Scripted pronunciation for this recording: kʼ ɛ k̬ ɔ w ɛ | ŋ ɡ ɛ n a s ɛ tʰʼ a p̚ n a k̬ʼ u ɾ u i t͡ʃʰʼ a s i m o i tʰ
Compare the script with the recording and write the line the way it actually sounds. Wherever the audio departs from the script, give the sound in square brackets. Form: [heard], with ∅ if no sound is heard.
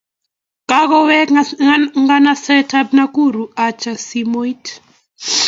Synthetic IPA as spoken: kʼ [a] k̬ ɔ w ɛ | ŋ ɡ [a] n a s ɛ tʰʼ a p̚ n a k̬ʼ u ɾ u [a] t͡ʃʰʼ a s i m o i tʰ

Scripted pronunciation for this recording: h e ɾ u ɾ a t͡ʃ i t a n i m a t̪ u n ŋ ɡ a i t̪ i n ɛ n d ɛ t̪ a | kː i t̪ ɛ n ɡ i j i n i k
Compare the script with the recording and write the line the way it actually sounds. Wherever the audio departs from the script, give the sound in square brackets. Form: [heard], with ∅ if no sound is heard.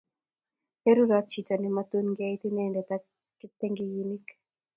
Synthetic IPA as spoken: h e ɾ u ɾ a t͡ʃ i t a n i m a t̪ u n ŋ ɡ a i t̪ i n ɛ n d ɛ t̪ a | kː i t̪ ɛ [ŋ] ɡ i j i n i k

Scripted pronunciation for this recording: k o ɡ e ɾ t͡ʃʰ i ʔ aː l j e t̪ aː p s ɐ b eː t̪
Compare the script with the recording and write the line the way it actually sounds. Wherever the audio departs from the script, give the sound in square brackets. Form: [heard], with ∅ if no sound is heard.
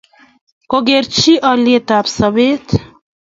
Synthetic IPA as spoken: k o ɡ e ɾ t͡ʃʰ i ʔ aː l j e t̪ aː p s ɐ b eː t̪

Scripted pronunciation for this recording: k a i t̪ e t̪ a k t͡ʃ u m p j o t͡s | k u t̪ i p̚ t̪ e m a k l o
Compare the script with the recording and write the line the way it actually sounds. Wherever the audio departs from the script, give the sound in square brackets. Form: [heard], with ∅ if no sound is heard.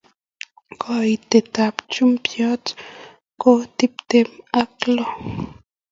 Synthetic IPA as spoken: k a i t̪ e t̪ a [p] t͡ʃ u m p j o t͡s | k [o] t̪ i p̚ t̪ e m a k l o

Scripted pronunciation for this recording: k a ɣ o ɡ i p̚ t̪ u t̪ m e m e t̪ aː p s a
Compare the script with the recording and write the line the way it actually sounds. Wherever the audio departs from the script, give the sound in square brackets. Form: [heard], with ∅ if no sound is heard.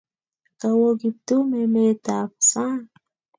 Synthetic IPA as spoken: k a [w] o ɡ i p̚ t̪ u [∅] m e m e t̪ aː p s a

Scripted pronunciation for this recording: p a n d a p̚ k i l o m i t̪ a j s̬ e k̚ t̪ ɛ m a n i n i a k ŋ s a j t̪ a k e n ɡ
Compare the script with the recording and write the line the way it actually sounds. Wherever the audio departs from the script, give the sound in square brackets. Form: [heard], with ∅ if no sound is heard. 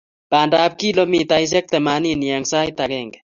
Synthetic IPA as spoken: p a n d a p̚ k i l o m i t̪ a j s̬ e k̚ t̪ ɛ m a n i n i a [∅] ŋ s a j t̪ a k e [ŋ] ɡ

